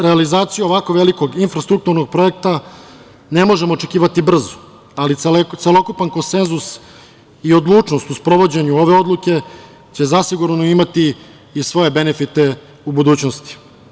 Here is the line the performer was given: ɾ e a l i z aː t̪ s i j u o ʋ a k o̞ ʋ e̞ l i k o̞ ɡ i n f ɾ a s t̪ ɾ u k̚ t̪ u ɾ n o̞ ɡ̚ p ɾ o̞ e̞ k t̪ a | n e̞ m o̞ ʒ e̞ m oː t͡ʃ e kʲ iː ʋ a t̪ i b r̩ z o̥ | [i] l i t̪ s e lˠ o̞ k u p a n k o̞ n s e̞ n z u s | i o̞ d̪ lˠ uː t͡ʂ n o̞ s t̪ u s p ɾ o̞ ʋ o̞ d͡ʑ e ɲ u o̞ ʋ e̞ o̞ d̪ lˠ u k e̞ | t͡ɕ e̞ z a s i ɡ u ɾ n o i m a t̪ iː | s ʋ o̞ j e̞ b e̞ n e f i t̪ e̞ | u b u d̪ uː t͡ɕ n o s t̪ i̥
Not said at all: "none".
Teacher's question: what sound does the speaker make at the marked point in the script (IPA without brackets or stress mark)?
a